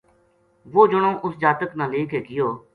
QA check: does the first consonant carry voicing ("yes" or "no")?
yes